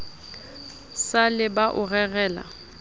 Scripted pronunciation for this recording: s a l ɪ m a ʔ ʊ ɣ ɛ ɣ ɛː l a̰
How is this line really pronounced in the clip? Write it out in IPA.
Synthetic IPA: s a l ɪ b a ʔ ʊ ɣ ɛ ɣ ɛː l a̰